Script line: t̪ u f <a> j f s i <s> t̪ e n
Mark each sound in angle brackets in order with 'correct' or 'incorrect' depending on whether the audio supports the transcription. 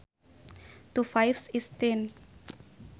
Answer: correct, correct

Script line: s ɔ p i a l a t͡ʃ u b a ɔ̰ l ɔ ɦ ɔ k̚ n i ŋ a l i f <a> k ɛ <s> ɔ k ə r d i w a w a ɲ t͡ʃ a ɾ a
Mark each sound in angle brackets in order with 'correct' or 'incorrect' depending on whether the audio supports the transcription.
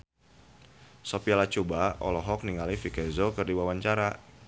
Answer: incorrect, incorrect

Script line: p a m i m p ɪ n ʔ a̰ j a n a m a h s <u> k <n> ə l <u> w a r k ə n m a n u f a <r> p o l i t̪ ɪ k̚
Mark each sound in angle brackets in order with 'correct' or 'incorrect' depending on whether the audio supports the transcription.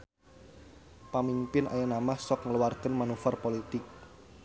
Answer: incorrect, incorrect, correct, correct

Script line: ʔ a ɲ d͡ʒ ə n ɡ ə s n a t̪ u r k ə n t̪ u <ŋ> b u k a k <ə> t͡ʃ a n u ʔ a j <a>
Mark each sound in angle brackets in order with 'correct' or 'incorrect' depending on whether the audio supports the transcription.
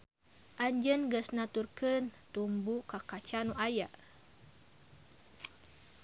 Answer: incorrect, incorrect, correct

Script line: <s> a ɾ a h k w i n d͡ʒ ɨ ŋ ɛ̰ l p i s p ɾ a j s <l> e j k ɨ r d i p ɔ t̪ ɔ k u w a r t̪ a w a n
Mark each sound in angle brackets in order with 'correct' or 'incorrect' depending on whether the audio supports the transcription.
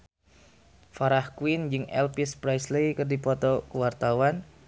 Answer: incorrect, correct

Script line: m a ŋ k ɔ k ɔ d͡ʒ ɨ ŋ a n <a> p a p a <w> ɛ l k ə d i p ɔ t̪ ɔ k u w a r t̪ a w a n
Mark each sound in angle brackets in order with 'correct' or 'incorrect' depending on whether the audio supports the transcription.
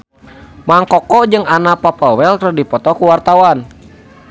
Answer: correct, correct

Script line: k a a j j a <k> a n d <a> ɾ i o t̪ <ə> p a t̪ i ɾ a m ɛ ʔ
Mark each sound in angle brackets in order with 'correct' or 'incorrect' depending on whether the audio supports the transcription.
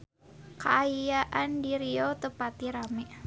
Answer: incorrect, incorrect, correct

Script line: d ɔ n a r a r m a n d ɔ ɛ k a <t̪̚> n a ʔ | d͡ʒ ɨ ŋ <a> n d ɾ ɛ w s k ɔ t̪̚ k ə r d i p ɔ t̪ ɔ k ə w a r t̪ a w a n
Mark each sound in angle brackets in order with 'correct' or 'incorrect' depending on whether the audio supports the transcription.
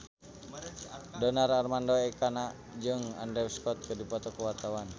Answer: incorrect, correct

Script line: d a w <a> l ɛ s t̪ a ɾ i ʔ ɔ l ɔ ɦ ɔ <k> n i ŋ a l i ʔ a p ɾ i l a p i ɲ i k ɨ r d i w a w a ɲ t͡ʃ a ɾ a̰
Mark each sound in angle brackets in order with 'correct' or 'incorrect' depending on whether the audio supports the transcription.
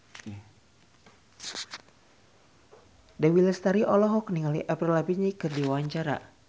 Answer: incorrect, correct

